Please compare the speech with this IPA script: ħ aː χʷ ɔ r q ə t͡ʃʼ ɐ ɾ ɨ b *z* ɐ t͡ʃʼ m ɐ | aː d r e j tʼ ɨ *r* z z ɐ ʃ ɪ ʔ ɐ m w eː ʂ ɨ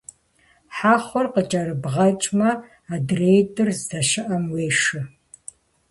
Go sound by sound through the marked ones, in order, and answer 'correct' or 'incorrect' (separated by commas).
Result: incorrect, correct